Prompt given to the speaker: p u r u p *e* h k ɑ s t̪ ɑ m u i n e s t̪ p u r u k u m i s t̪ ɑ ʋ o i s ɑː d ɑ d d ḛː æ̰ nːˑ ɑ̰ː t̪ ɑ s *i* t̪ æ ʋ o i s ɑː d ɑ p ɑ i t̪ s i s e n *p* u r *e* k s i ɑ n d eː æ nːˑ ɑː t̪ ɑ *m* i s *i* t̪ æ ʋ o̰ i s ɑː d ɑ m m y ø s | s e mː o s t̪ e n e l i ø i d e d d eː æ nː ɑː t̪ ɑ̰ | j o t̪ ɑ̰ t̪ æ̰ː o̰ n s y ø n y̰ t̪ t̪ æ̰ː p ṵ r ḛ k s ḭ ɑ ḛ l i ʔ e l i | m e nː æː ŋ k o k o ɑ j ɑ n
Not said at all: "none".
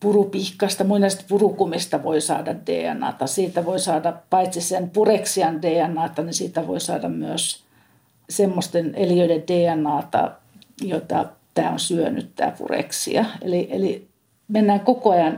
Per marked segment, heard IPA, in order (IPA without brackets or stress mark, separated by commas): i, iː, p, e, n, iː